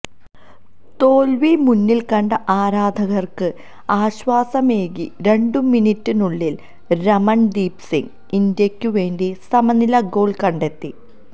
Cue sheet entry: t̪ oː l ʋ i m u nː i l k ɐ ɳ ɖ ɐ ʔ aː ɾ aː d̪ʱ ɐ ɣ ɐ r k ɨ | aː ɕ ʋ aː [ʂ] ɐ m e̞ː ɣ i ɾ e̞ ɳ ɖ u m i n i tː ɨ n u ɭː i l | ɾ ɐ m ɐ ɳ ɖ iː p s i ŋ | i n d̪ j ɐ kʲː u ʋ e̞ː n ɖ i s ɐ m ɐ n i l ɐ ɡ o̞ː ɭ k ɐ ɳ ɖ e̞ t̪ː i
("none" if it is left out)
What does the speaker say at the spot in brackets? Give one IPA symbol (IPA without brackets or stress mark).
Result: s